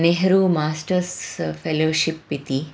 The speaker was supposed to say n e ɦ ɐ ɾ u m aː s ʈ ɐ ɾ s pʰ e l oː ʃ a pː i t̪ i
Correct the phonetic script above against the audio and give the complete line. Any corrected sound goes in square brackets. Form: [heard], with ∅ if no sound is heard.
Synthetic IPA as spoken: n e ɦ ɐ ɾ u m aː s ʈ ɐ ɾ s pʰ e l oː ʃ [i] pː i t̪ i